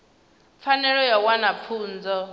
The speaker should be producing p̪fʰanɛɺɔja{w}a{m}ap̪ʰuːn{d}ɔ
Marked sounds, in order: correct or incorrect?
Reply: correct, incorrect, incorrect

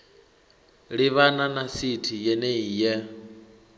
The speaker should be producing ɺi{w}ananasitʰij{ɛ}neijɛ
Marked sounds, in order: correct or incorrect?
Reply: incorrect, correct

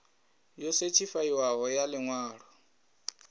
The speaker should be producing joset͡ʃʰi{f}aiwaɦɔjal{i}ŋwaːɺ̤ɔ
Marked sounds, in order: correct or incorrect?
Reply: correct, incorrect

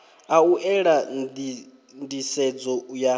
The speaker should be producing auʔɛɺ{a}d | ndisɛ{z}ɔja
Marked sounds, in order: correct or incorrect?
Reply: correct, incorrect

